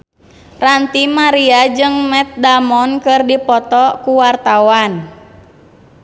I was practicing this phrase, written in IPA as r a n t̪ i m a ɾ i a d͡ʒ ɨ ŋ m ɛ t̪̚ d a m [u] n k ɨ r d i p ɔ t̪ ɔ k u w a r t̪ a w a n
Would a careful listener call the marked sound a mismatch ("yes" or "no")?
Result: yes